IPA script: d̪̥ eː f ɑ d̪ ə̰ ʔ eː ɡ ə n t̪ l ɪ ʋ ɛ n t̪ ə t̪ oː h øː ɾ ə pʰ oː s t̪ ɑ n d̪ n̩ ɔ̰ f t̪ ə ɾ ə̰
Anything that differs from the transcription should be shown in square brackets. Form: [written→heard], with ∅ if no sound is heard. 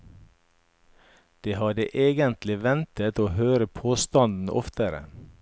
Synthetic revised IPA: d̪̥ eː [f→h] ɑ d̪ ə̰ ʔ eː ɡ ə n t̪ l ɪ ʋ ɛ n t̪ ə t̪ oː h øː ɾ ə pʰ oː s t̪ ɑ n d̪ n̩ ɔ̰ f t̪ ə ɾ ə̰